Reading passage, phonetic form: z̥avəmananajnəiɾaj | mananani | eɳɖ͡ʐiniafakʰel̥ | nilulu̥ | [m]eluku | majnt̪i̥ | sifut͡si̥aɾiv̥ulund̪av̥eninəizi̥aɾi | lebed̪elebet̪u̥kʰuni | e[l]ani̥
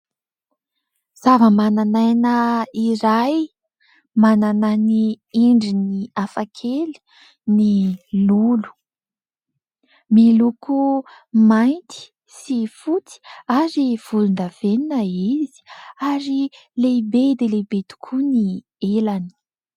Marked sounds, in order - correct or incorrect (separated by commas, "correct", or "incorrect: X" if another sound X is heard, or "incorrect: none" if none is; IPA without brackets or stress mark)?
correct, correct